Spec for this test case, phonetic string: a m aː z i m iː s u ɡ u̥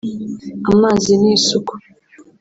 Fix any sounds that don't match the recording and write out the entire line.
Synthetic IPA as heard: a m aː z i n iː s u k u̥